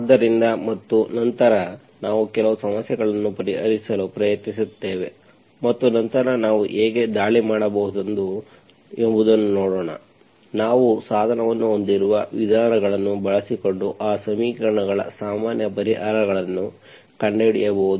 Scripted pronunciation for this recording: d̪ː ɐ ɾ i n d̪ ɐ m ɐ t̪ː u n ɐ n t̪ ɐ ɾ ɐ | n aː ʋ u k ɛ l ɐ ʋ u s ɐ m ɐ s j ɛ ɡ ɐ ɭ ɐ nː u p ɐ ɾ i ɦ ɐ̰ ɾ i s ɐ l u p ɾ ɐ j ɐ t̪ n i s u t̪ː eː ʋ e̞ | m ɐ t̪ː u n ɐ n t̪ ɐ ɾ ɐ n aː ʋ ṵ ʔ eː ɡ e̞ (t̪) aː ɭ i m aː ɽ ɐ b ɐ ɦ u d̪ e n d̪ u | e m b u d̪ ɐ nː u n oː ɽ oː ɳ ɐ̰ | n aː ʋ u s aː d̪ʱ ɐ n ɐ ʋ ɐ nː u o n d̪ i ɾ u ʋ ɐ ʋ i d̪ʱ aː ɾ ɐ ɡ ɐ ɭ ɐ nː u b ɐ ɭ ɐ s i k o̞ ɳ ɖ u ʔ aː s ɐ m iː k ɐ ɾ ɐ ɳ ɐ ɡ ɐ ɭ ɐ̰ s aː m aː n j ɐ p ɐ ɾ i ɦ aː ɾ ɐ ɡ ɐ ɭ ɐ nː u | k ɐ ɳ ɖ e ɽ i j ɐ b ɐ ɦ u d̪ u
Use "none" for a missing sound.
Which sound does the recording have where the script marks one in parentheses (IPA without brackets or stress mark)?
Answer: d̪